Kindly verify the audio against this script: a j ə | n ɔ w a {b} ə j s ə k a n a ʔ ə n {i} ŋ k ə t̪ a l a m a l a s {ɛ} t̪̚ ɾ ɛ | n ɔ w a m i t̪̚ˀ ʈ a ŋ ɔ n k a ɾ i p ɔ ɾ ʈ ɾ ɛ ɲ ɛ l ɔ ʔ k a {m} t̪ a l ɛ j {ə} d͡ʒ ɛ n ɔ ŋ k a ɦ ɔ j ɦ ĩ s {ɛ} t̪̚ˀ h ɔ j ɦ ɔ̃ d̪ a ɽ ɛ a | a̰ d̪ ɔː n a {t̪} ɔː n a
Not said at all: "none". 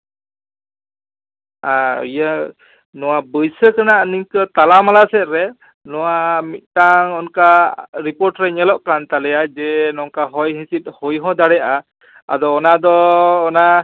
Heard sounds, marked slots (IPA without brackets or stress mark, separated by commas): b, i, ɛ, n, a, i, d̪